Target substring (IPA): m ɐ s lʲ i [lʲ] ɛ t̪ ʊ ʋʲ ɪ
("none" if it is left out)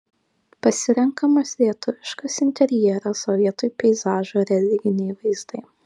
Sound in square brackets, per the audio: none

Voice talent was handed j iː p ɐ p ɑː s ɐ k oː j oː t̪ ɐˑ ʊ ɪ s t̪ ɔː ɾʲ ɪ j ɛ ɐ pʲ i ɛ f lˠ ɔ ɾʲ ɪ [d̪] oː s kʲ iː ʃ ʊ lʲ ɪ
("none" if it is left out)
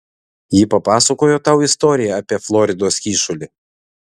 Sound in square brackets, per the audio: d̪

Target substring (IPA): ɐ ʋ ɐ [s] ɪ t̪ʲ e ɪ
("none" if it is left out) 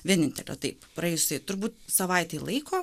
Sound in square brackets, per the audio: none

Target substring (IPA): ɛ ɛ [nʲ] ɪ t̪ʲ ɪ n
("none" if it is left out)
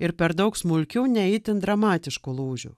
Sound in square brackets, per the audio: none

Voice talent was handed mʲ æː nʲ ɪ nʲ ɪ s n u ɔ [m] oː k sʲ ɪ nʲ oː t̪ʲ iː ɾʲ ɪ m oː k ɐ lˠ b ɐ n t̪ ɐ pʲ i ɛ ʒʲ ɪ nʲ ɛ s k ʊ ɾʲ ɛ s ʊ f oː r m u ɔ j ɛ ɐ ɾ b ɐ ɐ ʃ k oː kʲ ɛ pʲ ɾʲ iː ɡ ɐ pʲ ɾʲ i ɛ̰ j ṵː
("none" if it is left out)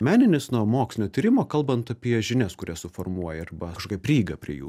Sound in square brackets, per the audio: m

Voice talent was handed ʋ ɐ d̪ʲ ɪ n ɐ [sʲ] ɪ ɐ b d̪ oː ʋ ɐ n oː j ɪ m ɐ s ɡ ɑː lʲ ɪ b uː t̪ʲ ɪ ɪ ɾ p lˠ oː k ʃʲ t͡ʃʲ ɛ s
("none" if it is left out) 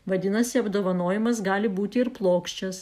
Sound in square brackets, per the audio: sʲ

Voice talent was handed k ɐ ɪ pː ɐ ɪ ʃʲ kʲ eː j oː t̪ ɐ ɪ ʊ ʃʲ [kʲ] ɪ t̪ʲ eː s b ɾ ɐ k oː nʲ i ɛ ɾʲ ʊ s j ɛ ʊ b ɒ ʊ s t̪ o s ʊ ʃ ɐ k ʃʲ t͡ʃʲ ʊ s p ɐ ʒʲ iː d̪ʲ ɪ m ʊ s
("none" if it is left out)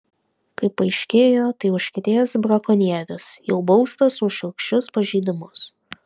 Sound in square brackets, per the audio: kʲ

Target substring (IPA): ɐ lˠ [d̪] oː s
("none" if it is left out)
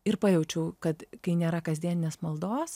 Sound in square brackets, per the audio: d̪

